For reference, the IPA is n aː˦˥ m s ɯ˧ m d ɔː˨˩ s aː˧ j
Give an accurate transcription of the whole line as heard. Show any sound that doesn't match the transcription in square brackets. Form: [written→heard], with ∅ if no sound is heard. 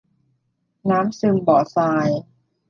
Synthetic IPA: n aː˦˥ m s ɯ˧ m [d→b] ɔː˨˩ s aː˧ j